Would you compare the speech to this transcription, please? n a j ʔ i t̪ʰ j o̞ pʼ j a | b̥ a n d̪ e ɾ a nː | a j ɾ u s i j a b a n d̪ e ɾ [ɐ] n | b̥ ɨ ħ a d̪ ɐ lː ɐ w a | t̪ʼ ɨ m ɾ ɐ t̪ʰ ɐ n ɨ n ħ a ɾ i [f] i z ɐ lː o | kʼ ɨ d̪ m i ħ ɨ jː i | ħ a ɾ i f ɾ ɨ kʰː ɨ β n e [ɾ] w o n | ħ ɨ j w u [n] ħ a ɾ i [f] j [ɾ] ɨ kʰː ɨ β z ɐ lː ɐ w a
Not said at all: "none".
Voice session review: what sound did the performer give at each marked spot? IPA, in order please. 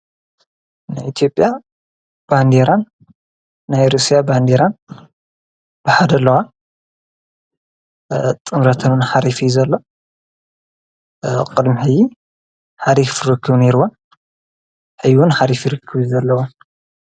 a, f, ɾ, n, f, ɾ

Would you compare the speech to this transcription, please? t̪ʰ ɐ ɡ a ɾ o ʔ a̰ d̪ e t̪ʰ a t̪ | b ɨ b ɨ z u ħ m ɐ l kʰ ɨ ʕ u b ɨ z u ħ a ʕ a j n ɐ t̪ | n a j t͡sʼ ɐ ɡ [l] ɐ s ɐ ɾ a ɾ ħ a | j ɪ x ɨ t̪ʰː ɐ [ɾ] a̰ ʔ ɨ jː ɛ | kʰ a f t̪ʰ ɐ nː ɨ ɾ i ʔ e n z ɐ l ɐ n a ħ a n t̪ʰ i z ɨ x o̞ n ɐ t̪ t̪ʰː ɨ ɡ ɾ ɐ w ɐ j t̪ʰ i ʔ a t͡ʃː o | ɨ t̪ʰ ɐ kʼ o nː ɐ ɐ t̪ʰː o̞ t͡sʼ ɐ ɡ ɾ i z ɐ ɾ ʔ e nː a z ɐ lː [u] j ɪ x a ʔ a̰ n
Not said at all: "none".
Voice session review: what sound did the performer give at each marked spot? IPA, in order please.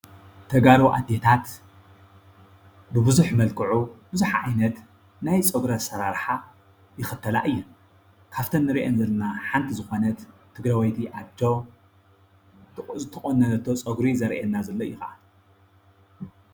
ɾ, l, o

